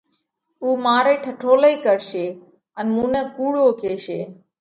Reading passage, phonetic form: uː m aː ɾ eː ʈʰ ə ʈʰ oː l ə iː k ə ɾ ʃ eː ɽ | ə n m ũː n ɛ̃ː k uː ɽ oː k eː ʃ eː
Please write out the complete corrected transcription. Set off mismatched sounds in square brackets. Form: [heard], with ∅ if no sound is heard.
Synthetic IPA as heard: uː m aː ɾ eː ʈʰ ə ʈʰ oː l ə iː k ə ɾ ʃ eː [∅] | ə n m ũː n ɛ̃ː k uː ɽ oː k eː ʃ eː